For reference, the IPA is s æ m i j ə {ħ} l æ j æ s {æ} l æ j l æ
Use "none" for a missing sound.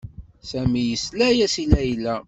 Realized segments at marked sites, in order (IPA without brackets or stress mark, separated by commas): s, i